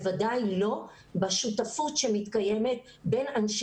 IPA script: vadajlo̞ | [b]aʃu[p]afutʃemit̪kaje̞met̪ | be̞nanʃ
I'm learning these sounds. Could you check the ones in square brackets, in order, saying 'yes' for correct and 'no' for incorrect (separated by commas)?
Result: yes, no